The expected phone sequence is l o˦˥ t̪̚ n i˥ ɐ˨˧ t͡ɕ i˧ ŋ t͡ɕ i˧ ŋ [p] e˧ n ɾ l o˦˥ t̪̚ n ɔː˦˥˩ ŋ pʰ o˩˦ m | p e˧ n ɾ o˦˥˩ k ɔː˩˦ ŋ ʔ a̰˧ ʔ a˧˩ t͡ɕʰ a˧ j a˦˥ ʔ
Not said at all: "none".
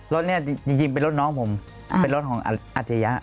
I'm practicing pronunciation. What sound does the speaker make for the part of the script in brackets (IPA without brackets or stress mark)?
p